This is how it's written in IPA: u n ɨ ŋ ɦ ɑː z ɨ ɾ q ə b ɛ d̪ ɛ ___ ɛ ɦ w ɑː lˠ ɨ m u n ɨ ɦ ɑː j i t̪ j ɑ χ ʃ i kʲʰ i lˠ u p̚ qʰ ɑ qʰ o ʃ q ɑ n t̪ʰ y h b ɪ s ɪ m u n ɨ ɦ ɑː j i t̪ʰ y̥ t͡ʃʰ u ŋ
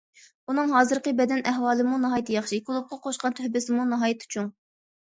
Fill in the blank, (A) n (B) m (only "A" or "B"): A